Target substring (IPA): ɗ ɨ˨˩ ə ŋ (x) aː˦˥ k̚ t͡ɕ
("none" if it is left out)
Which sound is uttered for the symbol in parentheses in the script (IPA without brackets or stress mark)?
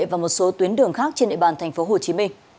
x